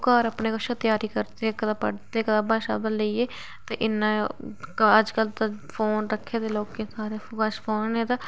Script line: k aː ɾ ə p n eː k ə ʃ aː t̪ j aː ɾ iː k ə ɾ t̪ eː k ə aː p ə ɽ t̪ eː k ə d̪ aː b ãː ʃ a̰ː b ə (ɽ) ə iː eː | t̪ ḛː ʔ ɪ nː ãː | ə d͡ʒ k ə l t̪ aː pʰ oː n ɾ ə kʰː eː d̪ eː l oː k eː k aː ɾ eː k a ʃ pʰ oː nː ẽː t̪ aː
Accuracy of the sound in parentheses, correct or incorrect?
incorrect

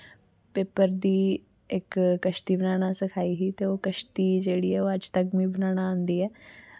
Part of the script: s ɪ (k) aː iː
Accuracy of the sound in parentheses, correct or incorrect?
incorrect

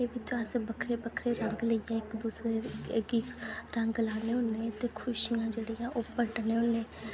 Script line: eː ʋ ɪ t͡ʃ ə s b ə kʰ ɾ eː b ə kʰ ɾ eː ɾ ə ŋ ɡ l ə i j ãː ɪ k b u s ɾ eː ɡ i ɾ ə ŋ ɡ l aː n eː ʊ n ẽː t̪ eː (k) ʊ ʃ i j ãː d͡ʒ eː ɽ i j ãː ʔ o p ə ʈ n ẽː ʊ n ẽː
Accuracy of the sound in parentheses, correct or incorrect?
incorrect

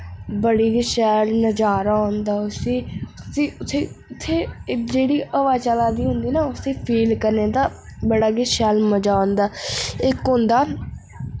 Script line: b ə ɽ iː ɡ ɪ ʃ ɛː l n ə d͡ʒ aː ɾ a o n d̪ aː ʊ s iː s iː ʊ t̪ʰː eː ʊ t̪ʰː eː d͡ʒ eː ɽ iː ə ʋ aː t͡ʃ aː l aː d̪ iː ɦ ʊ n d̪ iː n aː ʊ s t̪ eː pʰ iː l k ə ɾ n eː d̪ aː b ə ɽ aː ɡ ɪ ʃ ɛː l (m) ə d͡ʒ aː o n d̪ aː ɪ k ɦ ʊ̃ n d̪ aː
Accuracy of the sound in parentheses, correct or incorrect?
correct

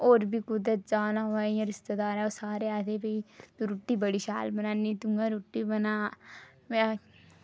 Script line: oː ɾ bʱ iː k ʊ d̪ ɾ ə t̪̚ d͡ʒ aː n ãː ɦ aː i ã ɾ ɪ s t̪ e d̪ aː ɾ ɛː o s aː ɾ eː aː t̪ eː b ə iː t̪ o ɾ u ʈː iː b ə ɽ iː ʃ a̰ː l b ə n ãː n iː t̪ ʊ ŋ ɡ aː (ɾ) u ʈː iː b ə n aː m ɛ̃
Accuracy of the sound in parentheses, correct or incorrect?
correct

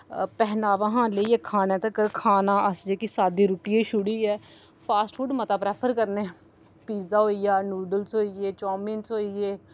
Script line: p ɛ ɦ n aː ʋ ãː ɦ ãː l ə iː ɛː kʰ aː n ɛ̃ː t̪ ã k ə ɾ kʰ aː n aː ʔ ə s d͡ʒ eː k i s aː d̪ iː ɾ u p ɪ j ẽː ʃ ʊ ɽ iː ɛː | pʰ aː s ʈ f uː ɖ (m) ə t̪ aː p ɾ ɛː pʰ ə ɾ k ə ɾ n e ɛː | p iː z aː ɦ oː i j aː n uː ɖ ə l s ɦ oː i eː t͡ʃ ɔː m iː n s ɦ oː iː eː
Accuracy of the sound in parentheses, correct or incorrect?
correct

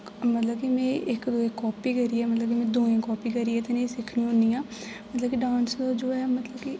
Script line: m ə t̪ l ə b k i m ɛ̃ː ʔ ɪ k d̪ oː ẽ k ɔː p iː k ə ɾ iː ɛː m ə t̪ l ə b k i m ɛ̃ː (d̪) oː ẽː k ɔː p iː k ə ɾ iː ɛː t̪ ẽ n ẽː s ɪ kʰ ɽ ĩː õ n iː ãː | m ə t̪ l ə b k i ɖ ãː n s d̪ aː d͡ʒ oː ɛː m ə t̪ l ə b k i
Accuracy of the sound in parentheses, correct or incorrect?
correct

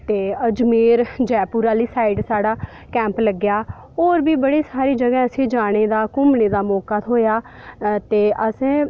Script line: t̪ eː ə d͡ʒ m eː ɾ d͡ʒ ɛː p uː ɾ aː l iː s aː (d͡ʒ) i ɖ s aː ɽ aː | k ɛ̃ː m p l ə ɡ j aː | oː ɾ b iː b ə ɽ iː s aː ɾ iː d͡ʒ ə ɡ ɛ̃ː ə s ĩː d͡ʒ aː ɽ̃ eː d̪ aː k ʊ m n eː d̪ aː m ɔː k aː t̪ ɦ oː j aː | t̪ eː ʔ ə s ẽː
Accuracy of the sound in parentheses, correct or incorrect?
incorrect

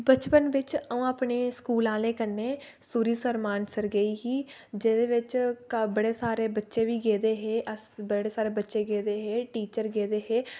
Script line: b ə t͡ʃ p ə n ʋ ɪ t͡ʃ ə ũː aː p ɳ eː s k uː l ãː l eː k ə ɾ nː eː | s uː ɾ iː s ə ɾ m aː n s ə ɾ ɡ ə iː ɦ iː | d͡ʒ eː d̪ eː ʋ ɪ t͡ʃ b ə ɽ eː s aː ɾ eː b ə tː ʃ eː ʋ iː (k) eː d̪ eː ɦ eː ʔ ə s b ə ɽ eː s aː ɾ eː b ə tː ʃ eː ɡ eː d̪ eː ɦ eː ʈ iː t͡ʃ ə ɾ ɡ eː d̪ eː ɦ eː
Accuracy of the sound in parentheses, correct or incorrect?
incorrect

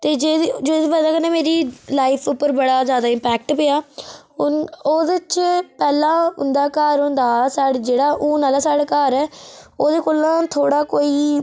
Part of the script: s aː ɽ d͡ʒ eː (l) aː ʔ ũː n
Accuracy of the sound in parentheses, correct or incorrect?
incorrect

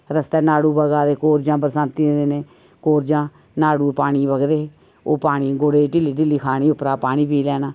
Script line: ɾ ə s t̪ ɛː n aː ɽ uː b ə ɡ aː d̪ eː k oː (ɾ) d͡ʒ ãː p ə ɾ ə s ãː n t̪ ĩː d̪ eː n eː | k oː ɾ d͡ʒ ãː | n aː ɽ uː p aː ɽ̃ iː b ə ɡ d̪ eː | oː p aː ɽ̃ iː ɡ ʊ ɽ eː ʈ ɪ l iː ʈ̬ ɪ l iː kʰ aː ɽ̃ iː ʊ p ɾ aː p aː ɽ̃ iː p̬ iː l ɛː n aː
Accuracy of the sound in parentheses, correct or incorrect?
correct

